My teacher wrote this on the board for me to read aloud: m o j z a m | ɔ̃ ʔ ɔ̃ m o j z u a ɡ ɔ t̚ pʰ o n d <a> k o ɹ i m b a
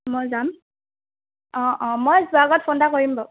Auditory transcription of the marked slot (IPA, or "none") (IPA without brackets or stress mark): a